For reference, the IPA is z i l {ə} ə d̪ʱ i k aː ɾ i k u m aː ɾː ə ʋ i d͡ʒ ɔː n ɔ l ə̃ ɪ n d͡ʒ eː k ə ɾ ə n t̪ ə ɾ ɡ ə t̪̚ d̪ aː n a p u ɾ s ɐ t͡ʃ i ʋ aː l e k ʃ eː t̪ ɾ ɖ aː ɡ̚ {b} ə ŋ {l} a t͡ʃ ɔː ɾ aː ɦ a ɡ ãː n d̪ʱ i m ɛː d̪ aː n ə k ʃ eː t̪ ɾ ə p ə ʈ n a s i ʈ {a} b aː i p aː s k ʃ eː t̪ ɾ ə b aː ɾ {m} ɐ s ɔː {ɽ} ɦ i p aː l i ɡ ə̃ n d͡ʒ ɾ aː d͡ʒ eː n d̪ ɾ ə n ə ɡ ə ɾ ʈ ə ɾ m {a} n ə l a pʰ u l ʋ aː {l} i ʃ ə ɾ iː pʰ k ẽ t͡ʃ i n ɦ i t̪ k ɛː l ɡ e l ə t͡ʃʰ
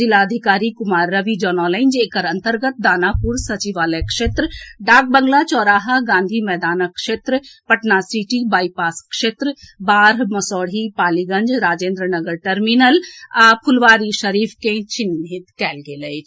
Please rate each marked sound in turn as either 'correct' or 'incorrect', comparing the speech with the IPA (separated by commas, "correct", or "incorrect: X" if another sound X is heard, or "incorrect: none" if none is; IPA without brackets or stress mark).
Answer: incorrect: a, correct, correct, incorrect: i, correct, correct, incorrect: i, incorrect: ɾ